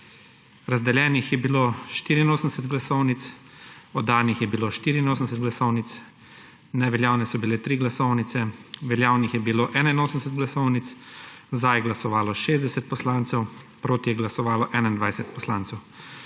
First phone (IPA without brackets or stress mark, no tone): ɾ